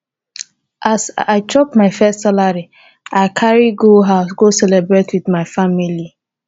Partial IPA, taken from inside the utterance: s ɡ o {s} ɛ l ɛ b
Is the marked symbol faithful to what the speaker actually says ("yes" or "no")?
yes